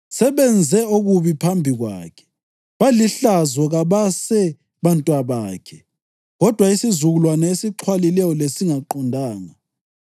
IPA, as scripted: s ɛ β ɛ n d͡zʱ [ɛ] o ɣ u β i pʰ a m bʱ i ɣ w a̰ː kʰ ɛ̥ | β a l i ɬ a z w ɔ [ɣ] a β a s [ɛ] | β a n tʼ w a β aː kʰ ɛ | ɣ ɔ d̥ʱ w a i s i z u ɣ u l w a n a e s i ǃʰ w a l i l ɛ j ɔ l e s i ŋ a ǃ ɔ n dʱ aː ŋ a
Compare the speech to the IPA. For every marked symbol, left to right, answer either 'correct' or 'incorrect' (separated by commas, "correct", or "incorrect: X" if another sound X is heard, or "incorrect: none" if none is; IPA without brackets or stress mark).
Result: correct, correct, correct